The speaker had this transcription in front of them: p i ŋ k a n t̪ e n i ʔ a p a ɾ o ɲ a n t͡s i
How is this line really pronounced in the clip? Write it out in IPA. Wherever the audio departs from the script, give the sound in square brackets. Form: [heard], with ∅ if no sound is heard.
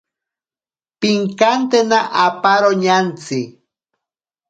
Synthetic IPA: p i ŋ k a n t̪ e n [a] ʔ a p a ɾ o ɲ a n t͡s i